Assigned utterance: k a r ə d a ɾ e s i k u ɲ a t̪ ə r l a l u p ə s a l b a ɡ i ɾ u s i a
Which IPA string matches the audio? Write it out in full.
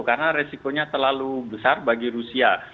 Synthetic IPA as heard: k a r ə n a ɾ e s i k o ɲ a t̪ ə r l a l u b ə s a r b a ɡ i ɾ u s i a